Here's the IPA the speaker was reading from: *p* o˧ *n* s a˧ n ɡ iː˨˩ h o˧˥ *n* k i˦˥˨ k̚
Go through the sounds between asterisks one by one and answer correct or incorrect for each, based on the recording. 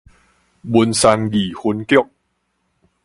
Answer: incorrect: b, correct, correct

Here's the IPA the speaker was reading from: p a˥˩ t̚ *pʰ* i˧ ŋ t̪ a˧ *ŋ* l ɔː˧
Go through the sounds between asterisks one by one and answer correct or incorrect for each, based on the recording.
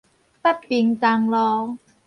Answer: incorrect: p, correct

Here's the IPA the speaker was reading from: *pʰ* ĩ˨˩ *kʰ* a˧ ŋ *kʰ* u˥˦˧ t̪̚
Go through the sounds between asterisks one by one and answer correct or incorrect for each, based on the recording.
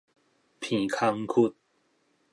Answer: correct, correct, correct

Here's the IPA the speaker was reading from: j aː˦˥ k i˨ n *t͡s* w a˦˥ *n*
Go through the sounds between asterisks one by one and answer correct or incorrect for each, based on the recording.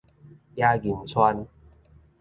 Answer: incorrect: t͡sʰ, correct

